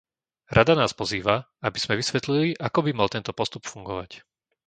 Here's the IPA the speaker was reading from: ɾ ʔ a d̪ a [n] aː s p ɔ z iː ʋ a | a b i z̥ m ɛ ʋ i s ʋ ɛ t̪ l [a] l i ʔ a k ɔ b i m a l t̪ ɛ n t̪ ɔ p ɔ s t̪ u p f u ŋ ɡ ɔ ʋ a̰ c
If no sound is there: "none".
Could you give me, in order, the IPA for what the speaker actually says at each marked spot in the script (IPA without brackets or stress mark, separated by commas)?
n, i